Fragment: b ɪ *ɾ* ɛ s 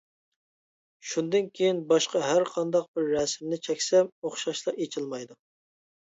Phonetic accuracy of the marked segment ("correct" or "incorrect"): incorrect